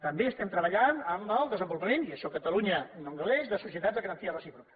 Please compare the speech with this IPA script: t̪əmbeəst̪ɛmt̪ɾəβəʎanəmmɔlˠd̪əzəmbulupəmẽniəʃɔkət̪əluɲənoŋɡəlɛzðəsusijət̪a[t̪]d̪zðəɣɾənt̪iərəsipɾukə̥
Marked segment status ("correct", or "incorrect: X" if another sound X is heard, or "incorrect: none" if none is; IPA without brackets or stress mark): incorrect: none